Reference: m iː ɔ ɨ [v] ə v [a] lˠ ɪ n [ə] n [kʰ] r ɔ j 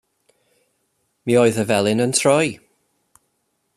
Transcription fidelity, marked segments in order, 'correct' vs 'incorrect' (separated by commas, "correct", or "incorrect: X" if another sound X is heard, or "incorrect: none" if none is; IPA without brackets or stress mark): incorrect: ð, incorrect: ɛ, correct, incorrect: tʰ